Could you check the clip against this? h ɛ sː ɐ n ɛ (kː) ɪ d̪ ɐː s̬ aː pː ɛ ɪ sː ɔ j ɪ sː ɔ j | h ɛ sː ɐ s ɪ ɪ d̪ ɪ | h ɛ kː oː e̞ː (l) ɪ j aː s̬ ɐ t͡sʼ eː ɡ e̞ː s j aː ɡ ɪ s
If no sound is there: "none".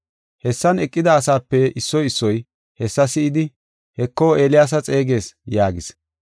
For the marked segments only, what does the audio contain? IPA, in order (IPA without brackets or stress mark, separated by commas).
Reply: kʼː, l